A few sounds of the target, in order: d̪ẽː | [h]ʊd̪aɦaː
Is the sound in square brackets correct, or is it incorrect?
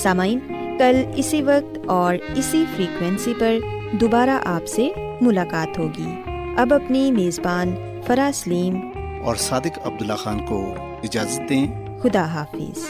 incorrect